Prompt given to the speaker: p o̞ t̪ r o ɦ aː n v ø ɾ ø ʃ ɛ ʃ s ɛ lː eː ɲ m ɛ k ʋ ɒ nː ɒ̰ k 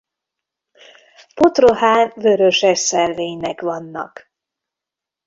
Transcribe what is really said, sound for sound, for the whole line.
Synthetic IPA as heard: p o̞ t̪ r o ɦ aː n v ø ɾ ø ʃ ɛ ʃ s ɛ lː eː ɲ n ɛ k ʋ ɒ nː ɒ̰ k